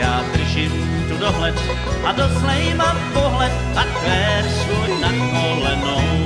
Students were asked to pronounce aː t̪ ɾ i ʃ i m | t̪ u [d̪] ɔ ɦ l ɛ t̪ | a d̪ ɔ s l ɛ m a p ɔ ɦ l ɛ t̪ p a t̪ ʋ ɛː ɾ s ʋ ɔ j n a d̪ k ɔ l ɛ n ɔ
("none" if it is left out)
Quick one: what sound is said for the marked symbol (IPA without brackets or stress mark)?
d̪